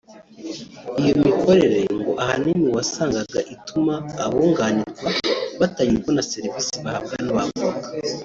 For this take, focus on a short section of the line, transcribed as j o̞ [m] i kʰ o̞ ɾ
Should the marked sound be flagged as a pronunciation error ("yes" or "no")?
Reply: no